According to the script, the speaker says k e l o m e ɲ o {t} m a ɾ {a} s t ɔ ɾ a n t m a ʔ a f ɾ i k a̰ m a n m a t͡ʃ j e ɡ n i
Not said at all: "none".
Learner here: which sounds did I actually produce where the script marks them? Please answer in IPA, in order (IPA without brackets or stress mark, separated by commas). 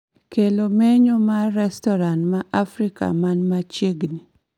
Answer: none, ɛ